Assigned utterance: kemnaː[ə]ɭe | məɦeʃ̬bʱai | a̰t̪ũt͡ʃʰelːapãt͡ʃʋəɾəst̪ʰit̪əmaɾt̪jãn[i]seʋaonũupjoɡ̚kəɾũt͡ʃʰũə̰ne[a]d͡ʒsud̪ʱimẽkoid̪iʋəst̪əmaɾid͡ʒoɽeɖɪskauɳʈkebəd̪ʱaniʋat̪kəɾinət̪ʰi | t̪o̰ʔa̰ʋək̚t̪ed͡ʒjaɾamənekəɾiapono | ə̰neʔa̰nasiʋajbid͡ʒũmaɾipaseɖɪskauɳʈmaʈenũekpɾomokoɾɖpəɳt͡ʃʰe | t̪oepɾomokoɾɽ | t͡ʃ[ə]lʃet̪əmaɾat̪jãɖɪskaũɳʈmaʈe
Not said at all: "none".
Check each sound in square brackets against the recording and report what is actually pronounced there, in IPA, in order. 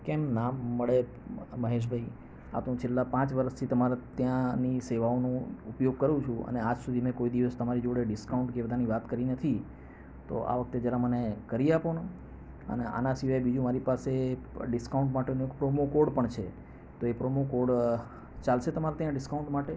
ə, i, a, a

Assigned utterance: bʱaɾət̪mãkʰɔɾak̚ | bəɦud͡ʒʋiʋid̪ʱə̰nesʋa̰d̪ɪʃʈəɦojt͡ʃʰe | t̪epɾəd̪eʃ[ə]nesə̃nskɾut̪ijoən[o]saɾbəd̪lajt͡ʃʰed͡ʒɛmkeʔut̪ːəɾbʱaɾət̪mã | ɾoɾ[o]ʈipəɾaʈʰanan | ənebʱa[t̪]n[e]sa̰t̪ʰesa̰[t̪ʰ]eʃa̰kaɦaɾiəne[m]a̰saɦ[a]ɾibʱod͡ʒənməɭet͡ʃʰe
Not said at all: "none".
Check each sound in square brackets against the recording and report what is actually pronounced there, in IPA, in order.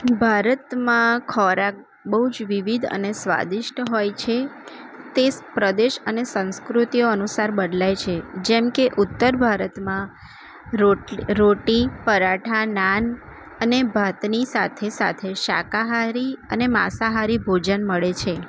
ə, u, o, t̪, i, t̪ʰ, m, a

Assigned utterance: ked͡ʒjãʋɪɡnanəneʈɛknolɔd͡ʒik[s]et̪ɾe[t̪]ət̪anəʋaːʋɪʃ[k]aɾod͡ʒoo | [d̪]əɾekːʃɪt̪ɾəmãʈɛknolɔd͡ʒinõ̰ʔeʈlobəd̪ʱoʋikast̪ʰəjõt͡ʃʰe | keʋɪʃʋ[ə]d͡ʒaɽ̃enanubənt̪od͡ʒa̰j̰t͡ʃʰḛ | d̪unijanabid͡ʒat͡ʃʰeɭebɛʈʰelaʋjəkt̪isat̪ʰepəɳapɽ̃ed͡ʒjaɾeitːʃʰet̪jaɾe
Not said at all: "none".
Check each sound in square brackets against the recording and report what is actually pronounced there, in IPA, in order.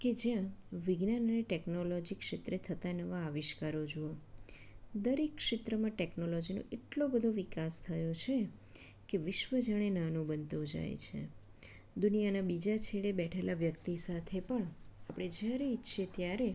ʃ, t̪ʰ, k, d̪, ə

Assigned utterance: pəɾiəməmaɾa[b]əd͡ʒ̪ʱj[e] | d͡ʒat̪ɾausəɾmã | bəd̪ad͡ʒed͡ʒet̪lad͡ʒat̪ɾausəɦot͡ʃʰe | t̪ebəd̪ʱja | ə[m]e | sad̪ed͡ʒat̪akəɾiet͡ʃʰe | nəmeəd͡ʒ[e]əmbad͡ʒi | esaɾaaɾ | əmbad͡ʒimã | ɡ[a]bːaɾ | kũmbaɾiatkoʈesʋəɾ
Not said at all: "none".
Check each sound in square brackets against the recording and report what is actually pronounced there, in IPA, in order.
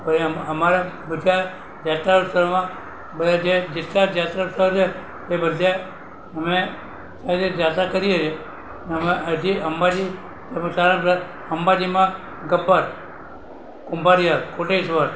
b, a, m, i, ə

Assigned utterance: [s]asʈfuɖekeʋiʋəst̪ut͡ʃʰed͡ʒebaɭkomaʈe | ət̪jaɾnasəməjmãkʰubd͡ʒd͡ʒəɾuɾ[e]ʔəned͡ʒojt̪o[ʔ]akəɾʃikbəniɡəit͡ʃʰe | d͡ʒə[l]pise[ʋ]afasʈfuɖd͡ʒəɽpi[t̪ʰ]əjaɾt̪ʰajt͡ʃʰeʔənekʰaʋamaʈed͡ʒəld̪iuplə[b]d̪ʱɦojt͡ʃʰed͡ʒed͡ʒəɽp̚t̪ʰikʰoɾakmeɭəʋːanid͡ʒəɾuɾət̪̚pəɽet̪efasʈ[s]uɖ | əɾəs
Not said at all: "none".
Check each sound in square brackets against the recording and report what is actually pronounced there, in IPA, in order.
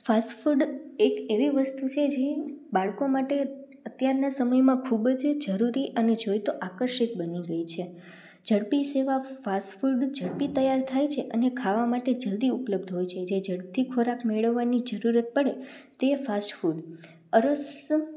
f, i, ʔ, ɽ, ʋ, t̪, b, f

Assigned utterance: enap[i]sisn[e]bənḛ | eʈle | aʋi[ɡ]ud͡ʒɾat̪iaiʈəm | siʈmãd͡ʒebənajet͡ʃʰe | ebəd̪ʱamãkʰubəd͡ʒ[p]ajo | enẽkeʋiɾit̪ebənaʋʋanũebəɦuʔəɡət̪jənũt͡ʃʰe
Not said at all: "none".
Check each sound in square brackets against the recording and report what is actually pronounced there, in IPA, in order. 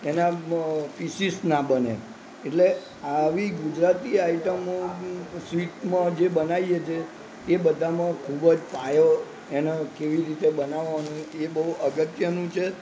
i, a, ɡ, p

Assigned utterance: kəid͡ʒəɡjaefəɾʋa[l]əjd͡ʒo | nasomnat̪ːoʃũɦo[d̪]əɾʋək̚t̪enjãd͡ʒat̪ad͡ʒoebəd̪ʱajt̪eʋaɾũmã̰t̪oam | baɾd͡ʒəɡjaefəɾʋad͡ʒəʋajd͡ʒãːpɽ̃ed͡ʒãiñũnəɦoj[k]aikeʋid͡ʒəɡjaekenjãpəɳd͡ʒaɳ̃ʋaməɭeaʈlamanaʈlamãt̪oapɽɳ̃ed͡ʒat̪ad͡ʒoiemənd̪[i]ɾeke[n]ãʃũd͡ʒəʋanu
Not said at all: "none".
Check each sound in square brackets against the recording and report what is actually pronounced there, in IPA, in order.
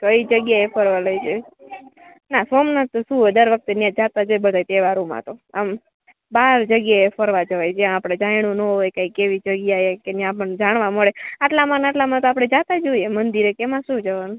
l, d̪, k, i, m

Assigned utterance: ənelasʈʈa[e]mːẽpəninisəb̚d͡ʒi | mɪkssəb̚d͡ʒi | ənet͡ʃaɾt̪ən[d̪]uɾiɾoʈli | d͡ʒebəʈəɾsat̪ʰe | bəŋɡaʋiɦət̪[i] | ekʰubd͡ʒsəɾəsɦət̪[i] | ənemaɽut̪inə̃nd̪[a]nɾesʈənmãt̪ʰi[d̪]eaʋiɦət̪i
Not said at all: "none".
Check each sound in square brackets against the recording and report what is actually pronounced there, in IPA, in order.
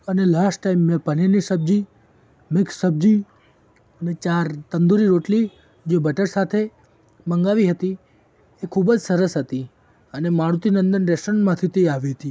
i, d̪, i, i, ə, t̪

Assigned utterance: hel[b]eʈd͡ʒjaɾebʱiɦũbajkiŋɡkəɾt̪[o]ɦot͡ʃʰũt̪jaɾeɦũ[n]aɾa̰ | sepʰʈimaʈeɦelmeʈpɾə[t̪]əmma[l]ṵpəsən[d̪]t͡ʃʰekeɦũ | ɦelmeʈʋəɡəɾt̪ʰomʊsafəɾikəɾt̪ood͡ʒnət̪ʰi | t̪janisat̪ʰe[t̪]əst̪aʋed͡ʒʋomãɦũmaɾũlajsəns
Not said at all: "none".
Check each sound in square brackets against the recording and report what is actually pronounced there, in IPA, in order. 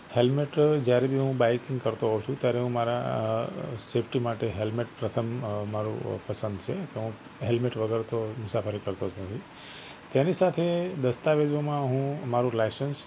m, o, m, t̪ʰ, ɾ, d̪, d̪

